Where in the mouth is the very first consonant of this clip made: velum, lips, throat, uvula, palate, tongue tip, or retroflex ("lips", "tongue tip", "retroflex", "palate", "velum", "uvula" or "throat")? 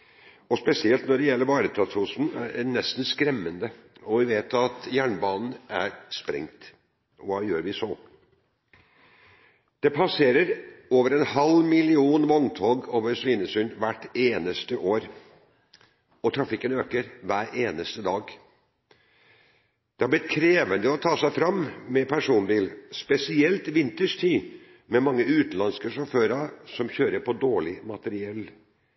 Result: tongue tip